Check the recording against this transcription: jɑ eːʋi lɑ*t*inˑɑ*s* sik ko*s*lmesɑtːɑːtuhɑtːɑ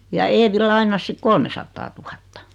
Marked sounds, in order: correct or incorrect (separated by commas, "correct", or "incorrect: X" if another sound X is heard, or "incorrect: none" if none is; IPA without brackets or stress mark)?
incorrect: none, correct, incorrect: none